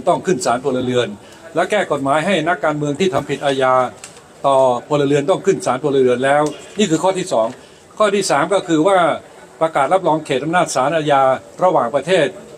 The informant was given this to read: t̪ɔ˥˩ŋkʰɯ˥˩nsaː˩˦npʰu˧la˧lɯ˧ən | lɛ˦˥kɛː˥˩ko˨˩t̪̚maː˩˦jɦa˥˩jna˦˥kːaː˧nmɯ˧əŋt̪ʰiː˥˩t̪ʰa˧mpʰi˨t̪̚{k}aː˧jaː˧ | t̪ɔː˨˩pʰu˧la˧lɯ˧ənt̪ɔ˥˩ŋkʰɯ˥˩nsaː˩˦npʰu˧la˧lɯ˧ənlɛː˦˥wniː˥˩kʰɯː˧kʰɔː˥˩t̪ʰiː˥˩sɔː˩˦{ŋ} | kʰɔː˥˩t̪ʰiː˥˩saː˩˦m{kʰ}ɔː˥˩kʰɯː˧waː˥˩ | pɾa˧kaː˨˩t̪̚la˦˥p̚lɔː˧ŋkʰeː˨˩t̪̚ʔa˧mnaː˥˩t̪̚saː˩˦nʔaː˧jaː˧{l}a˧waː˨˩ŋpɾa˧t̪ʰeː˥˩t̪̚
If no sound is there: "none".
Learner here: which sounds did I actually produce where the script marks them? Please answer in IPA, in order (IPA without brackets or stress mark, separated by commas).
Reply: ʔ, ŋ, k, ɾ